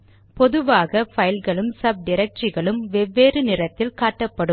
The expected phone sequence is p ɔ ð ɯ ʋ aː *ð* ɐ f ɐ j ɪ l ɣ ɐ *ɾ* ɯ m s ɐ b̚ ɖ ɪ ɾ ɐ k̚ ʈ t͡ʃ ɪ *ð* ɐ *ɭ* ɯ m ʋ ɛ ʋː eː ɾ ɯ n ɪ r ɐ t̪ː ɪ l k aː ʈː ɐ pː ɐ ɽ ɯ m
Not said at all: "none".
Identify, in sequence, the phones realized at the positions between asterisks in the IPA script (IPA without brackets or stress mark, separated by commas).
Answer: ɣ, ɭ, ɣ, ɭ